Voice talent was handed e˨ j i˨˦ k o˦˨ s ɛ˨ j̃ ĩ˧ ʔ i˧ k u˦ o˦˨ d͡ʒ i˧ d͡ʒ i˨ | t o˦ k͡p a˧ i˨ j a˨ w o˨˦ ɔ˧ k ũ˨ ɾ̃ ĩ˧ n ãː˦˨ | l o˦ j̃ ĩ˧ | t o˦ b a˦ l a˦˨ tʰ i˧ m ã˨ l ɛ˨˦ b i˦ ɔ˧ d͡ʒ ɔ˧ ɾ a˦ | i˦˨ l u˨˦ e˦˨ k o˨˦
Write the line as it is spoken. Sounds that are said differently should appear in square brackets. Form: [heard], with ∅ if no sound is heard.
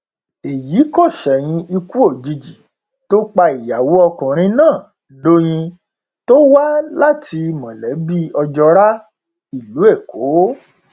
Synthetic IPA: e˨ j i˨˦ k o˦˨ [ʃ] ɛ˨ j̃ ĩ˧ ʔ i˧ k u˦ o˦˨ d͡ʒ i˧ d͡ʒ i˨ | t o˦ k͡p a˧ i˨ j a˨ w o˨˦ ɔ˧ k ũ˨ ɾ̃ ĩ˧ n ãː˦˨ | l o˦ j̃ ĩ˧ | t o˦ [w] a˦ l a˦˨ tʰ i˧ m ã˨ l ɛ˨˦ b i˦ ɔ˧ d͡ʒ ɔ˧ ɾ a˦ | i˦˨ l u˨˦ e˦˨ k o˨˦